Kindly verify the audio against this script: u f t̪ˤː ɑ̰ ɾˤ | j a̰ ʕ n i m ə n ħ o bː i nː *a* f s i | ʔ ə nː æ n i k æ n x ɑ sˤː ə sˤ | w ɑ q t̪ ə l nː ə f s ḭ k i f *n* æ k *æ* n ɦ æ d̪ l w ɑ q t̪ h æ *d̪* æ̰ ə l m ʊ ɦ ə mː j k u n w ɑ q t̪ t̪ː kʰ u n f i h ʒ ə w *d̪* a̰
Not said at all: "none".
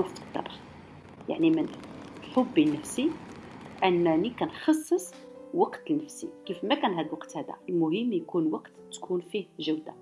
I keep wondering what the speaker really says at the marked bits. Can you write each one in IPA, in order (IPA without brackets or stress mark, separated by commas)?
ə, m, æ, d̪, d̪